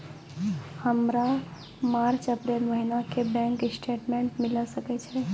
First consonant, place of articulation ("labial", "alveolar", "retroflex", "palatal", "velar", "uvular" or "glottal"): glottal